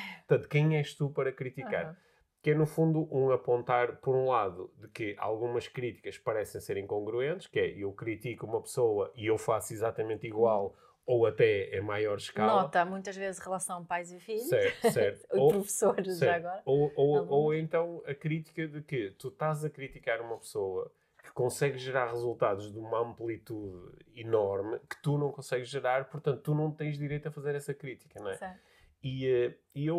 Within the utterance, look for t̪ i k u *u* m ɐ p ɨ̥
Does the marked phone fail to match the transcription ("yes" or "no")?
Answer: no